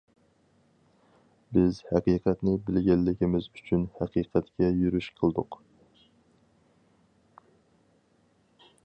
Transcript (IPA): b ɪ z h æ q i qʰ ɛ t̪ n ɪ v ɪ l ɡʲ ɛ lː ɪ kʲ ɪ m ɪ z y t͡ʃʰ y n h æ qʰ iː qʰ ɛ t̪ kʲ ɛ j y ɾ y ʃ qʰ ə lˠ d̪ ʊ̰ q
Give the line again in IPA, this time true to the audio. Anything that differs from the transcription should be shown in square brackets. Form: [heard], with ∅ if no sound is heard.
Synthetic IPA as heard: b ɪ z h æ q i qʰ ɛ t̪ n ɪ [b] ɪ l ɡʲ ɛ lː ɪ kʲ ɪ m ɪ z y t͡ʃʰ y n h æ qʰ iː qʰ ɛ t̪ kʲ ɛ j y ɾ y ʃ qʰ ə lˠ d̪ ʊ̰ q